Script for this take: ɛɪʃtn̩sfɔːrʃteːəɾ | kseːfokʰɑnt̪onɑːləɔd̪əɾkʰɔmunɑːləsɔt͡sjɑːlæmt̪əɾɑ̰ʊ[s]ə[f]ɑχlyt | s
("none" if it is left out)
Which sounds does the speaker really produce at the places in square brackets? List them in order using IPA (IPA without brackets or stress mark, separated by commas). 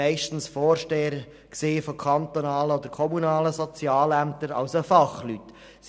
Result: s, f